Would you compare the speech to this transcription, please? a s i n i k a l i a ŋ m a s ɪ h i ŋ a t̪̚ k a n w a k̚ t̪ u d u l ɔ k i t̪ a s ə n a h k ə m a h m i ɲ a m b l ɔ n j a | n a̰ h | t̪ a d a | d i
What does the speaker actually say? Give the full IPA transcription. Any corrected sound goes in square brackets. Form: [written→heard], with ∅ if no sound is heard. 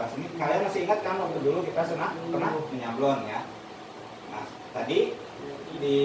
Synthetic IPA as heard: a s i n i k a l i a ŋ m a s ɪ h i ŋ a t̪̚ k a n w a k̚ t̪ u d u l [ɔ→u] k i t̪ a s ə n a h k ə [m→n] a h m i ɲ a m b l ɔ n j a | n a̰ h | t̪ a d [a→i] | d i

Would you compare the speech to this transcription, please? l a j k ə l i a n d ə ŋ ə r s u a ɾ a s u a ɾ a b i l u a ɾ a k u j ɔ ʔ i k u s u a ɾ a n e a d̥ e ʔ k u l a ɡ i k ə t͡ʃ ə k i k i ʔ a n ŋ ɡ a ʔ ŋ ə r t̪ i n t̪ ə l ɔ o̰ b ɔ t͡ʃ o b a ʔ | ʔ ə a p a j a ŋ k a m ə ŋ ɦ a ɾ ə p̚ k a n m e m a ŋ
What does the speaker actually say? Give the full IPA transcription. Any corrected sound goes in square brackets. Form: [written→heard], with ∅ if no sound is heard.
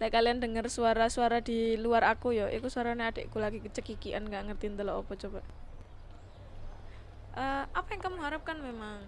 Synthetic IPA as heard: l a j k [ə→a] l i a n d ə ŋ ə r s u a ɾ a s u a ɾ a [b→d] i l u a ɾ a k u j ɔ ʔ i k u s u a ɾ a n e a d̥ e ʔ k u l a ɡ i k ə t͡ʃ ə k i k i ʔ a n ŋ ɡ a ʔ ŋ ə r t̪ i n t̪ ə l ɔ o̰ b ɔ t͡ʃ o b a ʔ | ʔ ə a p a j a ŋ k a m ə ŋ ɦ a ɾ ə p̚ k a n m e m a ŋ

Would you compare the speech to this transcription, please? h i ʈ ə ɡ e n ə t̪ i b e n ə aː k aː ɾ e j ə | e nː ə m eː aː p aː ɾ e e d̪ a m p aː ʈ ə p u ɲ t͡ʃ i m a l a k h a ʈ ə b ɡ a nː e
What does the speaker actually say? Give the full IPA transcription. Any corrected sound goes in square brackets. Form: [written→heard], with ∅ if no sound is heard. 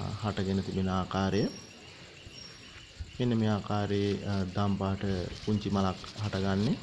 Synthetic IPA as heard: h [i→a] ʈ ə ɡ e n ə t̪ i b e n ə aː k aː ɾ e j ə | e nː ə m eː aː [p→k] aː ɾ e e d̪ a m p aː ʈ ə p u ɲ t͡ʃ i m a l a k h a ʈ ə [b→∅] ɡ a nː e

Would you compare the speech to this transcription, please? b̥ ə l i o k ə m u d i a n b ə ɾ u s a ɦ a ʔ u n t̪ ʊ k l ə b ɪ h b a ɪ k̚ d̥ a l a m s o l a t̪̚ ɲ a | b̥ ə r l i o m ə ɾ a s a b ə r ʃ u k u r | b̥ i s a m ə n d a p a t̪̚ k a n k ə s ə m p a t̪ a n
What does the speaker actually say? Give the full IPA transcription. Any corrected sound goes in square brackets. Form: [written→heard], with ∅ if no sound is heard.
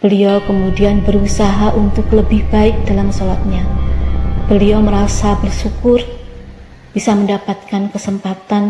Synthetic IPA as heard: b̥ ə l i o k ə m u d i a n b ə ɾ u s a ɦ a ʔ u n t̪ ʊ k l ə b ɪ h b a ɪ k̚ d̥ a l a m s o l a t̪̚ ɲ a | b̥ ə [r→∅] l i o m ə ɾ a s a b ə r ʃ u k [u→ʊ] r | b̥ i s a m ə n d a p a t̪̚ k a n k ə s ə m p a t̪ a n

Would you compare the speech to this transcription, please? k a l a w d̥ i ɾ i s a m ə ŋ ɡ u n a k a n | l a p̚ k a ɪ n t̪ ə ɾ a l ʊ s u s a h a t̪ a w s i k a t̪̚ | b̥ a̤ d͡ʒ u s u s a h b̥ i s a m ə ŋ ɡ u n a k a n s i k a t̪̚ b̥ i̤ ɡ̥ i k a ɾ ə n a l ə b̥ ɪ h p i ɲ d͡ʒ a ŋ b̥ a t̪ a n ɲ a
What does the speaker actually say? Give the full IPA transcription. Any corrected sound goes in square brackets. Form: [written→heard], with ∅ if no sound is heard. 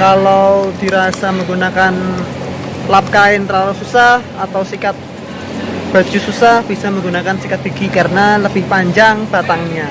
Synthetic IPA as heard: k a l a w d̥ i ɾ [i→a] s a m ə ŋ ɡ u n a k a n | l a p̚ k a ɪ n t̪ ə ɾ a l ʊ s u s a h a t̪ a w s i k a t̪̚ | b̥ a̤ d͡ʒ u s u s a h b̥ i s a m ə ŋ ɡ u n a k a n s i k a t̪̚ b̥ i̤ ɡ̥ i k a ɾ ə n a l ə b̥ ɪ h p [i→a] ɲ d͡ʒ a ŋ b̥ a t̪ a [n→ŋ] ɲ a

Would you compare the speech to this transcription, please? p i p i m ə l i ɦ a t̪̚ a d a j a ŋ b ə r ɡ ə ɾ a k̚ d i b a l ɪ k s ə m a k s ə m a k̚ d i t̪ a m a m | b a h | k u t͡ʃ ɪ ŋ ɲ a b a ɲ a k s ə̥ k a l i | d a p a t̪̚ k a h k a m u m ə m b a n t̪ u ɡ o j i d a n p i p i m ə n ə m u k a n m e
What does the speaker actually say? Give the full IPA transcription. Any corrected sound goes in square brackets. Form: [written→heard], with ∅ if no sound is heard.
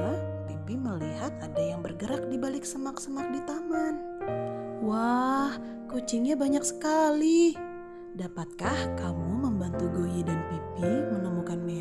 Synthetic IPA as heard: p i p i m ə l i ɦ a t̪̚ a d a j a ŋ b ə r ɡ ə ɾ a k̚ d i b a l ɪ k s ə m a k s ə m a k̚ d i t̪ a m a [m→n] | [b→w] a h | k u t͡ʃ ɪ ŋ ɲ a b a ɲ a k s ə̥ k a l i | d a p a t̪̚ k a h k a m u m ə m b a n t̪ u ɡ o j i d a n p i p i m ə n ə m u k a n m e

